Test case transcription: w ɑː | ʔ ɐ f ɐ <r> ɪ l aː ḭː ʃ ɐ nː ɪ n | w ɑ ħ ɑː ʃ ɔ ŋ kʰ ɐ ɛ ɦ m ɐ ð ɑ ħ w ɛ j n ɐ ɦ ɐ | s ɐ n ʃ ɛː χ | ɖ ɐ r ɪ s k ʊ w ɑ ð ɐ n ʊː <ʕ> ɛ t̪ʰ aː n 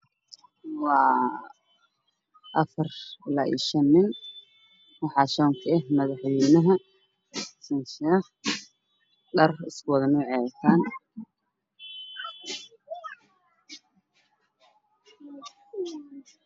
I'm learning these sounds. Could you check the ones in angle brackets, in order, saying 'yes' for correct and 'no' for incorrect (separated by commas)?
yes, yes